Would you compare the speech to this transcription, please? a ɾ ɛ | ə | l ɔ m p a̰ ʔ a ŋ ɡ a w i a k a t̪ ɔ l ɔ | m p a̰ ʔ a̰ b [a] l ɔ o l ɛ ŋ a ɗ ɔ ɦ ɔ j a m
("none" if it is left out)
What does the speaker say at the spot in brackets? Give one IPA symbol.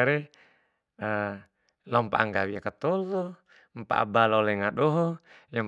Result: a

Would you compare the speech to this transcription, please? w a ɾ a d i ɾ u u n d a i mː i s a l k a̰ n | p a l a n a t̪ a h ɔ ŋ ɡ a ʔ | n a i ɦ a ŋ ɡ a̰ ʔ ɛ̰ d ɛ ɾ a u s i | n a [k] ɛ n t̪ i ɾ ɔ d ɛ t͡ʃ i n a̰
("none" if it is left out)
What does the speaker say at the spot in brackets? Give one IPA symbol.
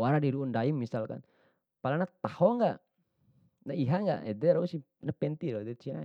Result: p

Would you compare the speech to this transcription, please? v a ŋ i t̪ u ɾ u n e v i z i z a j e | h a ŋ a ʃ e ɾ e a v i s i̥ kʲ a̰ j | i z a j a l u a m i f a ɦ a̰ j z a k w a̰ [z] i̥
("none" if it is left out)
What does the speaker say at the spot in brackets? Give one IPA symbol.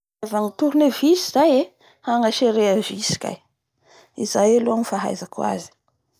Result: z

